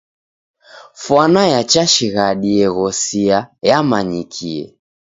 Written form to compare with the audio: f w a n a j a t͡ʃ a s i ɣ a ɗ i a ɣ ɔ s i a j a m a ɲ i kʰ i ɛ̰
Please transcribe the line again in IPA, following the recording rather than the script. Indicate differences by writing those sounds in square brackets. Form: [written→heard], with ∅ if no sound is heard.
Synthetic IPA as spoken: f w a n a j a t͡ʃ a [s→ʃ] i ɣ a ɗ i [a→ɛ] ɣ ɔ s i a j a m a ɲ i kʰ i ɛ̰